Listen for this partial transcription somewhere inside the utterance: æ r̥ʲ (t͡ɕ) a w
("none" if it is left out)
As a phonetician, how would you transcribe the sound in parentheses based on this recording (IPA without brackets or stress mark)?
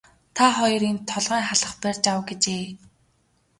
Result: t͡ɕ